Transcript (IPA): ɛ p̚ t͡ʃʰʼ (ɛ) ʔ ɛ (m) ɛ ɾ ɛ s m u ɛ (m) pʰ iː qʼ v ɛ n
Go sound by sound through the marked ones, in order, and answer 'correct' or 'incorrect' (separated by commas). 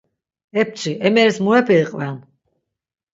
incorrect, correct, incorrect